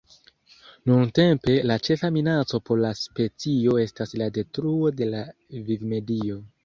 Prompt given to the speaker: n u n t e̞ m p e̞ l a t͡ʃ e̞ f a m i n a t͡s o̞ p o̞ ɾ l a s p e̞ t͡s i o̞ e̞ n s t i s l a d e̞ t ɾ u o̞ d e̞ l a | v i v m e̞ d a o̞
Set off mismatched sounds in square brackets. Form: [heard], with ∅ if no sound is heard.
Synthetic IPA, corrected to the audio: n u n t e̞ m p e̞ l a t͡ʃ e̞ f a m i n a t͡s o̞ p o̞ ɾ l a s p e̞ t͡s i o̞ e̞ [∅] s t [a] s l a d e̞ t ɾ u o̞ d e̞ l a | v i v m e̞ d [i] o̞